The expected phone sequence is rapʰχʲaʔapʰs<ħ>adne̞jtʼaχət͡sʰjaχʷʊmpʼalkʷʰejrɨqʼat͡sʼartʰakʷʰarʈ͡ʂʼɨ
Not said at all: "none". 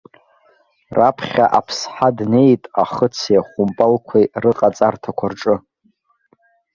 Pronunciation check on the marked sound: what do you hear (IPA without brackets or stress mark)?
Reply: ħ